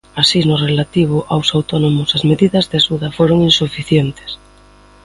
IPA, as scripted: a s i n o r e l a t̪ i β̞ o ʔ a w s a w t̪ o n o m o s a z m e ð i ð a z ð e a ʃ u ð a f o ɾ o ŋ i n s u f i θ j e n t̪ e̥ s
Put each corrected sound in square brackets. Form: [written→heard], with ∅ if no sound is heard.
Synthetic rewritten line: a s i n o r e l a t̪ i β̞ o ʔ a w s a w t̪ o n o m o s a z m e ð i ð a z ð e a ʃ u ð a f o ɾ o ŋ i n s u f i θ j e n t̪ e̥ s